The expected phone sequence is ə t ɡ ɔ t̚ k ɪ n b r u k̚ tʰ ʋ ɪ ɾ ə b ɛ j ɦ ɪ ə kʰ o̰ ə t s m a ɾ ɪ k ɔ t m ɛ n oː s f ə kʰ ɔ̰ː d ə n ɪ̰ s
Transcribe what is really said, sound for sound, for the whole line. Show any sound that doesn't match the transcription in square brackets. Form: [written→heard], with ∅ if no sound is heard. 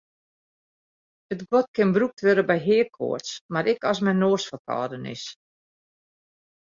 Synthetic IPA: ə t ɡ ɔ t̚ k ɪ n b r u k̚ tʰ ʋ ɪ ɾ ə b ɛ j ɦ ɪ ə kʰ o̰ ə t s m a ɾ ɪ k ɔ [t→s] m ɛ n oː s f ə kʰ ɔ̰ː d ə n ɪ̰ s